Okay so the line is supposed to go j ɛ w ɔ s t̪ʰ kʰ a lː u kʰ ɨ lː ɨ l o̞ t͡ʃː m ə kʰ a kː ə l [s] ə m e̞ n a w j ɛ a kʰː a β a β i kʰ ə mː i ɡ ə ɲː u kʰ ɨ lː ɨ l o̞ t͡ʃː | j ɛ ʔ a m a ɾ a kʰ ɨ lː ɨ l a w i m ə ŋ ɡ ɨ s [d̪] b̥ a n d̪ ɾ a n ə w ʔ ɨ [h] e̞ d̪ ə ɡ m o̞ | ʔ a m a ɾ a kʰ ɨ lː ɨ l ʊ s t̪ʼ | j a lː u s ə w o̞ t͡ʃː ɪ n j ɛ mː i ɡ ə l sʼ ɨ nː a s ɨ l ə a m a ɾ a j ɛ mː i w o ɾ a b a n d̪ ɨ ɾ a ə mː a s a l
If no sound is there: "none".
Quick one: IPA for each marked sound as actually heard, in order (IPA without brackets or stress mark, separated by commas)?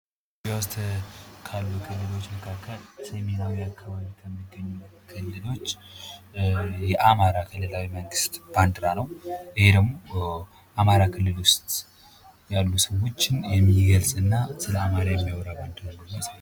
s, t̪, h